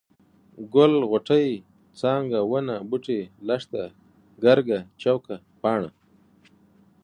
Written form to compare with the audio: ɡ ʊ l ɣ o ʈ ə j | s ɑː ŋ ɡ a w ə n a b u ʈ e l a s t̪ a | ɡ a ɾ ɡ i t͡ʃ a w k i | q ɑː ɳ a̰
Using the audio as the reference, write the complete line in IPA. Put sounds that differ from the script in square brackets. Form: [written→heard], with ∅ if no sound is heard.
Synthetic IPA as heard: ɡ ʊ l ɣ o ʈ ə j | [s→t͡s] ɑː ŋ ɡ a w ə n a b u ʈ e l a [s→ʂ] t̪ a | ɡ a ɾ ɡ [i→a] t͡ʃ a w k [i→a] | [q→p] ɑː ɳ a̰